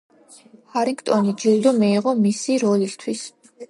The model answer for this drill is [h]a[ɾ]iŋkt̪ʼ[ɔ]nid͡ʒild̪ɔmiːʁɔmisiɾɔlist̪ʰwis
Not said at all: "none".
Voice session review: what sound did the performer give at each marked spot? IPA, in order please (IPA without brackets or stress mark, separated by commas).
h, ɾ, ɔ